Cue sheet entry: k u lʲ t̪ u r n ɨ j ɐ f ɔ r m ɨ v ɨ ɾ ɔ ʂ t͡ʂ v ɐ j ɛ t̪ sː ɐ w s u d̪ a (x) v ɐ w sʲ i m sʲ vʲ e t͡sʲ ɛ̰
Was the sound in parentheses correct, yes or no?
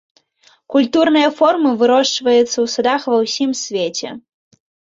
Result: yes